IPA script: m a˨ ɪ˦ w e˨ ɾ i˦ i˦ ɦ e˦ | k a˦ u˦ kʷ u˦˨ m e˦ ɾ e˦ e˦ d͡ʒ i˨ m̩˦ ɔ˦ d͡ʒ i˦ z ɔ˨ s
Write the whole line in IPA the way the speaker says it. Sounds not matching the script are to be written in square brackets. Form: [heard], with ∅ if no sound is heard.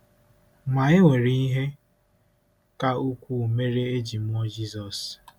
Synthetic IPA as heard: m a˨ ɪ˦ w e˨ ɾ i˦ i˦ ɦ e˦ | k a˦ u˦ kʷ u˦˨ m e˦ ɾ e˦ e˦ d͡ʒ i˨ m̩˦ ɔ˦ d͡ʒ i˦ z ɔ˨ s